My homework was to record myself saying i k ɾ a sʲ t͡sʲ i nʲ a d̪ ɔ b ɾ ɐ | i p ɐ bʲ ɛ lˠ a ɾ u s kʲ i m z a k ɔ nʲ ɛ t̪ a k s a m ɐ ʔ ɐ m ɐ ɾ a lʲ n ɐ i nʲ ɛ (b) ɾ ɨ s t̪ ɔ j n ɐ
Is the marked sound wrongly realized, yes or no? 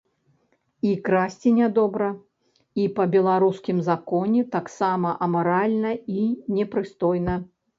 yes